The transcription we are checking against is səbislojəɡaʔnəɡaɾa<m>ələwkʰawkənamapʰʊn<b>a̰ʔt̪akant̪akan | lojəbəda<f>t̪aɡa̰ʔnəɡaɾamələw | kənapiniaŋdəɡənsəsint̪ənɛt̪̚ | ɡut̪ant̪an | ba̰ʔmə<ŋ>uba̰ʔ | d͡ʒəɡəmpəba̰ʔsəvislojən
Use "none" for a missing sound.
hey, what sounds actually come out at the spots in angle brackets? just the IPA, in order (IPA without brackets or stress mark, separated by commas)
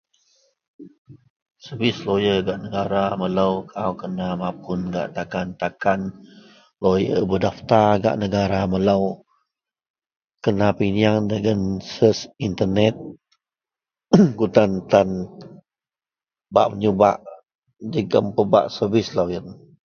m, ɡ, f, ɲ